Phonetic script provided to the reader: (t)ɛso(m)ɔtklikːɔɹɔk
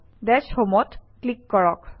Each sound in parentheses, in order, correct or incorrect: incorrect: d, correct

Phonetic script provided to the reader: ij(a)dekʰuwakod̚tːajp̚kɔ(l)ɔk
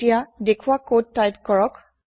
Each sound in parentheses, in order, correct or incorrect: correct, incorrect: ɹ

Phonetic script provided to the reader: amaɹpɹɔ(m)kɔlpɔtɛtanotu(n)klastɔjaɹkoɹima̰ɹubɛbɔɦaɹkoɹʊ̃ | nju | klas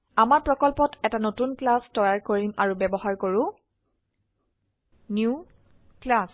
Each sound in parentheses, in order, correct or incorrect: incorrect: none, correct

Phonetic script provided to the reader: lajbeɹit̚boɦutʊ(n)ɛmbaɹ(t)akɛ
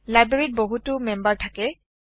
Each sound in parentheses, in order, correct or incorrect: incorrect: m, incorrect: tʰ

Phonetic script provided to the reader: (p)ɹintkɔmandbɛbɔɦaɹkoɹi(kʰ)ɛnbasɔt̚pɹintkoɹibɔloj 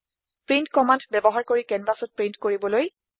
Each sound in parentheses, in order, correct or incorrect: correct, incorrect: k

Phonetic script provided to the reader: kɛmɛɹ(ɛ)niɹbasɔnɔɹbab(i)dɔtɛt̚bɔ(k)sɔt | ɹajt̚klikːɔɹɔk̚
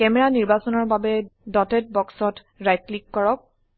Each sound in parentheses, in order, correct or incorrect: incorrect: a, incorrect: ɛ, correct

